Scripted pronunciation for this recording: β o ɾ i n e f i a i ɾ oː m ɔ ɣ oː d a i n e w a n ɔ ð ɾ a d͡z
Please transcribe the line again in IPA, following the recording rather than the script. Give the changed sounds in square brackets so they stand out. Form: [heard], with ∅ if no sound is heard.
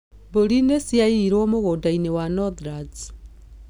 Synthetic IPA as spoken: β o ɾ i n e [s] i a i ɾ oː m [o] ɣ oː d a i n e w a n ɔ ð ɾ a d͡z